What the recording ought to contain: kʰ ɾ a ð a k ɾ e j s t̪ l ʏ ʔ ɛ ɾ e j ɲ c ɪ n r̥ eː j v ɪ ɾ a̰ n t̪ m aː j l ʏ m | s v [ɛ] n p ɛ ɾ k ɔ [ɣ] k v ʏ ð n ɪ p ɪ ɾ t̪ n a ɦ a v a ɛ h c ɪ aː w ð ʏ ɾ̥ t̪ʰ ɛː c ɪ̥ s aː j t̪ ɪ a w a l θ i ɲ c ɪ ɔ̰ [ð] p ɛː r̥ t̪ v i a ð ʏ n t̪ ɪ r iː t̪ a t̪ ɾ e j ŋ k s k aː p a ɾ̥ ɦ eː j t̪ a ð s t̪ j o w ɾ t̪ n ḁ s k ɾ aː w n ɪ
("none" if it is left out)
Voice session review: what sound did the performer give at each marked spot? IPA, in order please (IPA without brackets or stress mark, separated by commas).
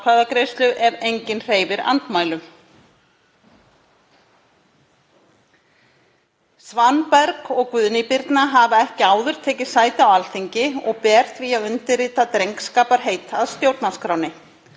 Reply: a, ɣ, ɣ